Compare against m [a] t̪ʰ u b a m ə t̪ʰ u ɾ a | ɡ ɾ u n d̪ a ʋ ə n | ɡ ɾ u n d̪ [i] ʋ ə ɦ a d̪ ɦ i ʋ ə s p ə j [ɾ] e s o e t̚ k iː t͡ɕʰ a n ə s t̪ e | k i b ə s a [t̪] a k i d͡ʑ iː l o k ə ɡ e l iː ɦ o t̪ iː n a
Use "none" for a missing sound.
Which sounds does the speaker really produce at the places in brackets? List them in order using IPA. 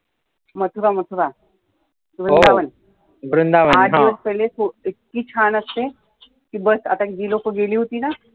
ə, a, l, t̪

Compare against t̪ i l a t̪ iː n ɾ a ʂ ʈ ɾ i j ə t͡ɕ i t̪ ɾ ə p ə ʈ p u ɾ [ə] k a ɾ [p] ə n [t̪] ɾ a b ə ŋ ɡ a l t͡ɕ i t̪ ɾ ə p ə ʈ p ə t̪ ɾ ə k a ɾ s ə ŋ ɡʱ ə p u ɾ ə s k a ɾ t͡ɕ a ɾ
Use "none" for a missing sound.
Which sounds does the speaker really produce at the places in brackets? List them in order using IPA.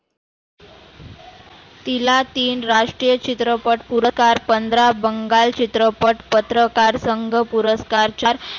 ə, p, d̪

